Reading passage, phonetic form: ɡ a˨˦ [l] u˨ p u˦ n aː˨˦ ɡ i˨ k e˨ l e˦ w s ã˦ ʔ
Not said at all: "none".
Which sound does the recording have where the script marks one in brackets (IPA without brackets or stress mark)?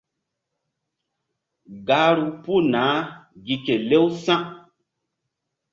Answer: ɾ